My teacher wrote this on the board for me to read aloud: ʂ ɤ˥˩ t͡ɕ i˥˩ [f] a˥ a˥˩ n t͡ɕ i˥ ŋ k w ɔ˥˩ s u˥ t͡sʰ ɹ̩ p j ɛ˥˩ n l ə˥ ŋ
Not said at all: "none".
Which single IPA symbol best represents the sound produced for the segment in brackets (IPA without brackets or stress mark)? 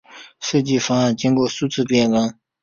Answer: f